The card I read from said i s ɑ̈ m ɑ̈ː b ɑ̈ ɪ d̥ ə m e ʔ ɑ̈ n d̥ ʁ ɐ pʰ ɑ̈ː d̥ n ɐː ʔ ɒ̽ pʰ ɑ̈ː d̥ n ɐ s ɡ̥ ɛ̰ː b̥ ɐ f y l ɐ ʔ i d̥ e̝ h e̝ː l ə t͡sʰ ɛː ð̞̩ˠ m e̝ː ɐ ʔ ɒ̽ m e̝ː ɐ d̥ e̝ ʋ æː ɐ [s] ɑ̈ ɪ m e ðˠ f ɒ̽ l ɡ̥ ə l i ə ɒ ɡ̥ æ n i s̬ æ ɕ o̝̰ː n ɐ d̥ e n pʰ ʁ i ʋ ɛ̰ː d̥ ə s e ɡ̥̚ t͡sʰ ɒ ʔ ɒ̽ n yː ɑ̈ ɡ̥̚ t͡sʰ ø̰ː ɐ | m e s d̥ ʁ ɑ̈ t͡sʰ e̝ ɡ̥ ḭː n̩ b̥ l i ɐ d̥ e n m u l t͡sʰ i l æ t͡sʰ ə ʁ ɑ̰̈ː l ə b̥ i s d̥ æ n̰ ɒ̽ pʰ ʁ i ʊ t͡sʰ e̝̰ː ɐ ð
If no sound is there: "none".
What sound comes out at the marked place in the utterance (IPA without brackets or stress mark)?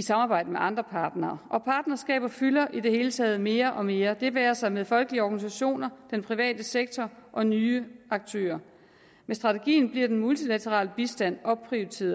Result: s